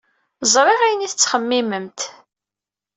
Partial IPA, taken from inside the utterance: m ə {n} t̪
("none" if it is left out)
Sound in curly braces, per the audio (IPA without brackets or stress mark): m